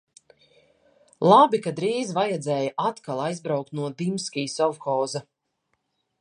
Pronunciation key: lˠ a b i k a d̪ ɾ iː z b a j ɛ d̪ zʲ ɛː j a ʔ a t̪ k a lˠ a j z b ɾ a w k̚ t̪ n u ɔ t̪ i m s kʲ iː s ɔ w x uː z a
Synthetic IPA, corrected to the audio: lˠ a b i k a d̪ ɾ iː z v a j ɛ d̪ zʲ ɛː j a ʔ a t̪ k a lˠ a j z b ɾ a w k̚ t̪ n u ɔ d̪ i m s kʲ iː s ɔ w x ɔː z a